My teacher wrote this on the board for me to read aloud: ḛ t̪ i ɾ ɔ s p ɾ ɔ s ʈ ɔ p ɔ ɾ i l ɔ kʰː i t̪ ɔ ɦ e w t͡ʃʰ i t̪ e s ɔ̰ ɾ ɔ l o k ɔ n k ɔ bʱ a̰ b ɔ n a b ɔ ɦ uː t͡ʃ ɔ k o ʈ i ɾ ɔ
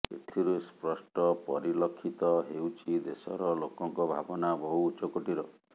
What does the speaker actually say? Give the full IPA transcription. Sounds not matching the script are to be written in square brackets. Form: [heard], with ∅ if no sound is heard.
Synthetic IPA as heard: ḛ [t̪ʰ] i ɾ [u] s p ɾ ɔ s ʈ ɔ p ɔ ɾ i l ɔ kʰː i t̪ ɔ ɦ e w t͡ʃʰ i [d̪] e s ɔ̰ ɾ ɔ l o k ɔ [ŋ] k ɔ bʱ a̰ b ɔ n a b ɔ ɦ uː t͡ʃ ɔ k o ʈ i ɾ ɔ